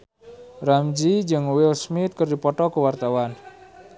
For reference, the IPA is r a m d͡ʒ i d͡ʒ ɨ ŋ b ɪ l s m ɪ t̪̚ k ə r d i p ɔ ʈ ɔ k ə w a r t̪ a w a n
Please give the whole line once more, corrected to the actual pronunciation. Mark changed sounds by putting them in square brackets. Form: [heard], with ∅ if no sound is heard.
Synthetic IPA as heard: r a m d͡ʒ i d͡ʒ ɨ ŋ [w] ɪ l s m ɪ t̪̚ k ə r d i p ɔ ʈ ɔ k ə w a r t̪ a w a n